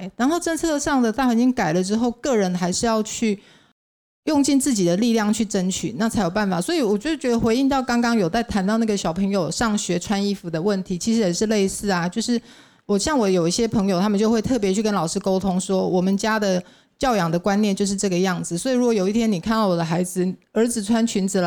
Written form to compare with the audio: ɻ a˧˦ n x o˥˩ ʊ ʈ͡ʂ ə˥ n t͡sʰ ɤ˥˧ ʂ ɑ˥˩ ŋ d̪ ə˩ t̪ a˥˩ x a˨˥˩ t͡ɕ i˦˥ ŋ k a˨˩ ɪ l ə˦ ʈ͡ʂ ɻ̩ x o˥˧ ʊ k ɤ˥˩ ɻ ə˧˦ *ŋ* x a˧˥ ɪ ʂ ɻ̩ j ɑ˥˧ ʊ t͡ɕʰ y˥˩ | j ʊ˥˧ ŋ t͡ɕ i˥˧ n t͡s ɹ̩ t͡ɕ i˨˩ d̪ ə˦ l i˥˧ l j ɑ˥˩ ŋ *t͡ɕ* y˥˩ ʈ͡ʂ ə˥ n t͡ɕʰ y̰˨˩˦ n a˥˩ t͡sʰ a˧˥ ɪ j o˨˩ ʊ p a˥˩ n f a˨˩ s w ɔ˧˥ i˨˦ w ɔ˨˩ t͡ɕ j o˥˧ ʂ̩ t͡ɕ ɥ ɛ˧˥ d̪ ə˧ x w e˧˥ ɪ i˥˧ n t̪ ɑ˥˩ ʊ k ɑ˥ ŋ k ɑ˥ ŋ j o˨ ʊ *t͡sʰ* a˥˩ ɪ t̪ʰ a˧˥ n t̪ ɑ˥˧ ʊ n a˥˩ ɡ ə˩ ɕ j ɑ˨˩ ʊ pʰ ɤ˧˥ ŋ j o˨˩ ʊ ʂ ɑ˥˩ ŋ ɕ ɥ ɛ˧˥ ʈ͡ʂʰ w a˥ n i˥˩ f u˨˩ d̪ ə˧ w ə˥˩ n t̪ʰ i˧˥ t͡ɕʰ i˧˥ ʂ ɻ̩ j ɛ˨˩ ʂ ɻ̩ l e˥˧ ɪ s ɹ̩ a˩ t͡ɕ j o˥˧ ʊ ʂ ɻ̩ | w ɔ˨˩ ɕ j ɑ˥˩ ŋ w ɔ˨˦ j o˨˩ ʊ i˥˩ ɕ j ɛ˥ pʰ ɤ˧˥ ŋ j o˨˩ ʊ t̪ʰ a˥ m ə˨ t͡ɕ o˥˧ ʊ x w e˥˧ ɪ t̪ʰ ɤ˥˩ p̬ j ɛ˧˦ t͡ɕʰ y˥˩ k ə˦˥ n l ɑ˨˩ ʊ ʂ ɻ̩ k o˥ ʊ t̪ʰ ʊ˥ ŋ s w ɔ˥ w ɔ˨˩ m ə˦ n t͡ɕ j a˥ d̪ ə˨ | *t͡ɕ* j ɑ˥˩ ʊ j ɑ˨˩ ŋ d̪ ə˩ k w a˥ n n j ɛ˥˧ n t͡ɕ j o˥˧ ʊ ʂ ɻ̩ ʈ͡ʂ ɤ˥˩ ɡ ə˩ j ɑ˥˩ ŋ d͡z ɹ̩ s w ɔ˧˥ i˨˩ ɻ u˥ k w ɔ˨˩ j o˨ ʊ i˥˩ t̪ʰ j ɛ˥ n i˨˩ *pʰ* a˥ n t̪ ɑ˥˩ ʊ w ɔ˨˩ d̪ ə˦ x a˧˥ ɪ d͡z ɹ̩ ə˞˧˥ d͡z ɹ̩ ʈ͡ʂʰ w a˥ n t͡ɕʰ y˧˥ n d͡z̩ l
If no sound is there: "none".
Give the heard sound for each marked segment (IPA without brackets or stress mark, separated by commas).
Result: n, t͡ɕʰ, t͡s, t͡ɕ, kʰ